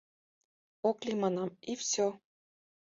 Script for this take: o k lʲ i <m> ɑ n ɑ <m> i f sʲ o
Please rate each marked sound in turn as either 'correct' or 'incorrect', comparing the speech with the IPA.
correct, correct

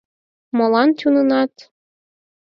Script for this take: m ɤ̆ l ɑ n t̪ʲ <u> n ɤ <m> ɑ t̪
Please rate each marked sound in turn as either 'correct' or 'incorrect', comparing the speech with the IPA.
correct, incorrect

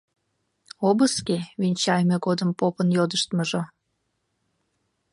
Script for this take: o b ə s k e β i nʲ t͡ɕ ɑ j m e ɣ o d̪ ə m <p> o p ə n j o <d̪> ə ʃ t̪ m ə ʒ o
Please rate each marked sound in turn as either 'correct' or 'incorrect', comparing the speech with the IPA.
correct, correct

